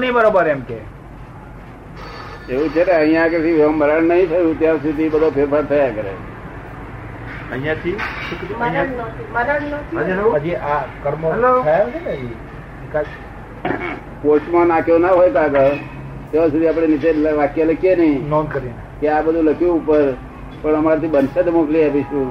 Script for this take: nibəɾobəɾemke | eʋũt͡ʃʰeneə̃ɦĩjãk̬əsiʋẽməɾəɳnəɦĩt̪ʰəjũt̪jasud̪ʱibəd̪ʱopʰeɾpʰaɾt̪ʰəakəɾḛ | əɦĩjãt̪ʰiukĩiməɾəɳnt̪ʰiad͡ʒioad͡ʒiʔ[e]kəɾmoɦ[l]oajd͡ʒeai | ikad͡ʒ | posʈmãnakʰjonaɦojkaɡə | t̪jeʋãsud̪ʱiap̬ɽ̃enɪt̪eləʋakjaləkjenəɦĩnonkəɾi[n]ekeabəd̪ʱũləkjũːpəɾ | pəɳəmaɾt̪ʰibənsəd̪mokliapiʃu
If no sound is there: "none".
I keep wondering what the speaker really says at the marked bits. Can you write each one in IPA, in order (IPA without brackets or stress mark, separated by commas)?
a, l, n